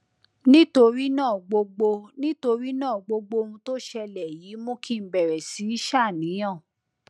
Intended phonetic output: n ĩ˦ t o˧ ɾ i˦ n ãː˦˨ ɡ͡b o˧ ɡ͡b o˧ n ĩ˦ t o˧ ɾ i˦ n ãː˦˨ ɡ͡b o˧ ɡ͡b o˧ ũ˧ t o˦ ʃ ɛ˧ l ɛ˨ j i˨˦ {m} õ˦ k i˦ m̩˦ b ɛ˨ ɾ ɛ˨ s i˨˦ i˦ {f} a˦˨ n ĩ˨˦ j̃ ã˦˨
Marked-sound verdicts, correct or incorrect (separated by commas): correct, incorrect